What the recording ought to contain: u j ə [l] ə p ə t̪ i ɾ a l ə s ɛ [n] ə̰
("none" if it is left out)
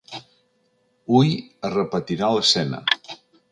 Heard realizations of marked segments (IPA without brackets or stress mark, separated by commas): r, n